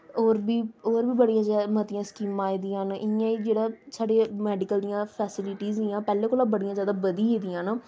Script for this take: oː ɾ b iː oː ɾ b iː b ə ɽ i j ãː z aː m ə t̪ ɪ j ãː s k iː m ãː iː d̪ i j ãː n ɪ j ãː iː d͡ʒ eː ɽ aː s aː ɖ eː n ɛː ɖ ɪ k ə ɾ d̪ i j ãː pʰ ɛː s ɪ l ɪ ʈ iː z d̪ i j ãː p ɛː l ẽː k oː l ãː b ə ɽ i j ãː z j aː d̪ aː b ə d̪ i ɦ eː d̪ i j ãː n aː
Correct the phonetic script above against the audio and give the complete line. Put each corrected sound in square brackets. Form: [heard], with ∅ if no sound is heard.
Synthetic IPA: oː ɾ b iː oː ɾ b iː b ə ɽ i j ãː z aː m ə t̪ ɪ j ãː s k iː m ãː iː d̪ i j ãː n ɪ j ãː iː d͡ʒ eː ɽ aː s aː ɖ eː [m] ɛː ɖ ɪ k ə [l] d̪ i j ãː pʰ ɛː s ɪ l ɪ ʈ iː z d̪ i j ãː p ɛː l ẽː k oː l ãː b ə ɽ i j ãː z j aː d̪ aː b ə d̪ i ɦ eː d̪ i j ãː n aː